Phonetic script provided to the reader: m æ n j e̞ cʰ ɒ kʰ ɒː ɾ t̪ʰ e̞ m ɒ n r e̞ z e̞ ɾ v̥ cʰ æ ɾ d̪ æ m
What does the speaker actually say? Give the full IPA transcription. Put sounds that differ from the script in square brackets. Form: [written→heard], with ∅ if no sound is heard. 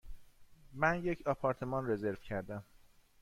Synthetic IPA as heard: m æ n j e̞ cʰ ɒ [kʰ→pʰ] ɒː ɾ t̪ʰ e̞ m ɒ n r e̞ z e̞ ɾ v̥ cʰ æ ɾ d̪ æ m